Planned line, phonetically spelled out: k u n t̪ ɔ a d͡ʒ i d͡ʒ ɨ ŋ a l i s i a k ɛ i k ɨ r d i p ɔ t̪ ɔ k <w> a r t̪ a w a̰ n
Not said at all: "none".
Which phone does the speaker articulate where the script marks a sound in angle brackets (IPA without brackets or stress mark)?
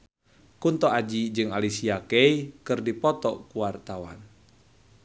u